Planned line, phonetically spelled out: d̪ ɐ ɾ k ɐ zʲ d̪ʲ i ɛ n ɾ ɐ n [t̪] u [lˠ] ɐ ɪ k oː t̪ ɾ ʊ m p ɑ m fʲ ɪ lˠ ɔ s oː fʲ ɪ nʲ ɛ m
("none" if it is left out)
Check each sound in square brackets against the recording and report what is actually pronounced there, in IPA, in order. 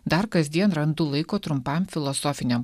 d̪, lˠ

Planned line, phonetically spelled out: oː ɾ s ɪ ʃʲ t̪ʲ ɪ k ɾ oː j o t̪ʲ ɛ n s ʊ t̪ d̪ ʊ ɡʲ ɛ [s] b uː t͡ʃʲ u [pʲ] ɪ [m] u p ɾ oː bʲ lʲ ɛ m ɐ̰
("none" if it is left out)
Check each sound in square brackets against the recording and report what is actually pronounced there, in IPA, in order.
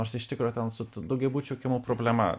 none, kʲ, m

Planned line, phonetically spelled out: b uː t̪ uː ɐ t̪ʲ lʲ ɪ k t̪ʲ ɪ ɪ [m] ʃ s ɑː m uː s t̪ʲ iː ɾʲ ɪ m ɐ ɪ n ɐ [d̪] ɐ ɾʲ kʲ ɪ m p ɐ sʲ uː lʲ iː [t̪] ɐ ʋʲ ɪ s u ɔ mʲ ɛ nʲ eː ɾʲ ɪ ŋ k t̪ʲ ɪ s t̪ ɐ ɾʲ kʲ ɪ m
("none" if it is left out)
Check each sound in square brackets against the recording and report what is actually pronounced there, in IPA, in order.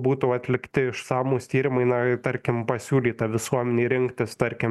none, t̪, t̪

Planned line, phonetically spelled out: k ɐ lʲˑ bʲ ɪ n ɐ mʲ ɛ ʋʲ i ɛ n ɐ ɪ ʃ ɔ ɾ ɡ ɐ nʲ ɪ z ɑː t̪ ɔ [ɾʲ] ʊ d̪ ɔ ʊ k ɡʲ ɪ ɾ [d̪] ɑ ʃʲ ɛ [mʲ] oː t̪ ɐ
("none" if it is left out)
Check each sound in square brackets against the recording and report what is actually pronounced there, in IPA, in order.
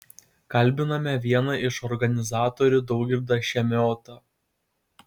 ɾʲ, d̪, mʲ

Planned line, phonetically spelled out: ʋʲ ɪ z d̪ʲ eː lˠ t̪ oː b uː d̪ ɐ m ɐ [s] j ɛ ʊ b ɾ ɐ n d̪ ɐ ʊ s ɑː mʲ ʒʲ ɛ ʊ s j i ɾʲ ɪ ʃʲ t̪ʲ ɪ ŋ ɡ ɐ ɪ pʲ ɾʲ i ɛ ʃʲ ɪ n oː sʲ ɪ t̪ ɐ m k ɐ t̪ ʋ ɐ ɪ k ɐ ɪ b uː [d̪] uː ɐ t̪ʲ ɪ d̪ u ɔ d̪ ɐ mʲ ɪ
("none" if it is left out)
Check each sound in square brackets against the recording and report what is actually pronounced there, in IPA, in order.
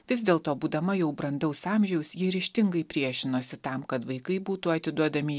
none, t̪

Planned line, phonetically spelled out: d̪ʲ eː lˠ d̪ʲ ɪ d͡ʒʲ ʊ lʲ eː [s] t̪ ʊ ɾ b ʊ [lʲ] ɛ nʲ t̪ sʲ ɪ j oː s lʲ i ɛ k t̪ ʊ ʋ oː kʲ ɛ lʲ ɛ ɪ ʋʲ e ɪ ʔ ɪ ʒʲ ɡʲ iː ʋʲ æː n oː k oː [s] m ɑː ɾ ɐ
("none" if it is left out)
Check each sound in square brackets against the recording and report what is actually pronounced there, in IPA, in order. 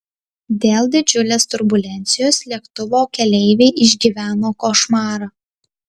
s, lʲ, ʃ

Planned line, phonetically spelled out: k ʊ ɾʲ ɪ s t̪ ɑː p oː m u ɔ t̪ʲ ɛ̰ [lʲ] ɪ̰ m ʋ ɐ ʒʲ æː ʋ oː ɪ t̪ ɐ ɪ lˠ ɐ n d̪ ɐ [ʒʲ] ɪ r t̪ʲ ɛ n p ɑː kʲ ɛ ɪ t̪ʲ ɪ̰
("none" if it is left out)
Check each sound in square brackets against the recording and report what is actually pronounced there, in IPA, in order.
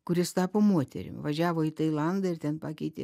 ɾʲ, none

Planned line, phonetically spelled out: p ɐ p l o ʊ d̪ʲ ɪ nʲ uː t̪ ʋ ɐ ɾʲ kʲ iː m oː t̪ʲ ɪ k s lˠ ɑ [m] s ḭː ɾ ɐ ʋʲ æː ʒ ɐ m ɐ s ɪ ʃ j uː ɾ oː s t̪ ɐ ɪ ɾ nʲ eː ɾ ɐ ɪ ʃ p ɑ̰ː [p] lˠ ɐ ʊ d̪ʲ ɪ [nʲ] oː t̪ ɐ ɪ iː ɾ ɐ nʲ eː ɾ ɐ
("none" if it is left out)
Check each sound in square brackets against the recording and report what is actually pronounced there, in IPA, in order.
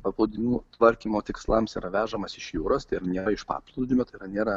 m, p, mʲ

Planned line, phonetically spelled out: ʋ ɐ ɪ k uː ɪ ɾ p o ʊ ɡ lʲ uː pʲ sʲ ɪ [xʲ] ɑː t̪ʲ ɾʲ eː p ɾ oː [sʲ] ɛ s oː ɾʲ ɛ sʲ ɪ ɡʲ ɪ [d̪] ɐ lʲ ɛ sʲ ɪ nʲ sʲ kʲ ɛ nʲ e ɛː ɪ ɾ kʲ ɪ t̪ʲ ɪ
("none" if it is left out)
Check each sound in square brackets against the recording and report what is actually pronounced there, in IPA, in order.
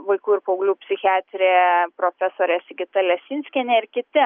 xʲ, fʲ, t̪

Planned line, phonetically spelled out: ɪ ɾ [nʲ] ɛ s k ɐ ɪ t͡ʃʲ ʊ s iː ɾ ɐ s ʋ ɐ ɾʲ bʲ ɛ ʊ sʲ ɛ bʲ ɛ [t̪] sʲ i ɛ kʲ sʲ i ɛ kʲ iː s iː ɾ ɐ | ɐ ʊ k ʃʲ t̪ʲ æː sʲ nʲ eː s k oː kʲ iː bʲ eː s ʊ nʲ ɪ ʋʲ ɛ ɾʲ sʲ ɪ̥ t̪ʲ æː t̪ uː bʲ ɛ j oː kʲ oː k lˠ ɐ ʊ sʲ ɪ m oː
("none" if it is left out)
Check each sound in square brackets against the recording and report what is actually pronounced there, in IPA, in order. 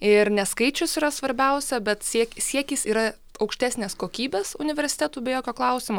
nʲ, t̪

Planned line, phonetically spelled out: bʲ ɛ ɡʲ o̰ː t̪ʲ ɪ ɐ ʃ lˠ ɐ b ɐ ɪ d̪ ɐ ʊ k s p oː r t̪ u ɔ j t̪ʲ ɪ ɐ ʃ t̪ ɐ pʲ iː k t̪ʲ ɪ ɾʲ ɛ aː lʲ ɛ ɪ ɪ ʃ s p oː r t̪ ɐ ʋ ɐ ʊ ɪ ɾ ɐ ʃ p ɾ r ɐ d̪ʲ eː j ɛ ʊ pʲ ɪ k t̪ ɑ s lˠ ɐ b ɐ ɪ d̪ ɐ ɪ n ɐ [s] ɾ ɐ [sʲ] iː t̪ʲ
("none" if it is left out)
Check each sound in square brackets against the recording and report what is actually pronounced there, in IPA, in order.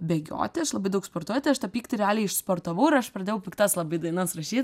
s, ʃʲ

